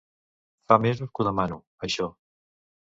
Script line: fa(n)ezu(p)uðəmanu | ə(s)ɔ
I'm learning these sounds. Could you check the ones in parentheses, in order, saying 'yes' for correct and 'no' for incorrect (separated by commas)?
no, no, no